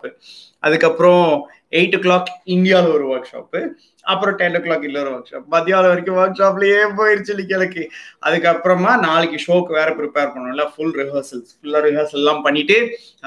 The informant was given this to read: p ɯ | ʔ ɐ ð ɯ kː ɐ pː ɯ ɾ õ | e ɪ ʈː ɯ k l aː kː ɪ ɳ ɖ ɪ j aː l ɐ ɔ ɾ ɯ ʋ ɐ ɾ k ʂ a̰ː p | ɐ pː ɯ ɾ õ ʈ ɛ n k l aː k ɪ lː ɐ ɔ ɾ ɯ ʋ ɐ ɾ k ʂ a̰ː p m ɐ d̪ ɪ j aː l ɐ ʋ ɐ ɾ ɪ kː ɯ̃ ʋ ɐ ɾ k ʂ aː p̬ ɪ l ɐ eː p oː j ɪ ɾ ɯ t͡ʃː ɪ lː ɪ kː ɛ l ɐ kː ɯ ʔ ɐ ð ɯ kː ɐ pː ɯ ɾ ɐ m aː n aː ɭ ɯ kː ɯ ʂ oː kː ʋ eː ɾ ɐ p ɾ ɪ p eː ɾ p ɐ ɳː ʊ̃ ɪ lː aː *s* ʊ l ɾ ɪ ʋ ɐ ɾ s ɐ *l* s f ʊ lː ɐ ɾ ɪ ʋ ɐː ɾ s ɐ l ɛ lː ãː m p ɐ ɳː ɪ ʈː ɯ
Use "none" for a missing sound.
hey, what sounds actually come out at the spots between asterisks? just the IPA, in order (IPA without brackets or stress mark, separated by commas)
f, l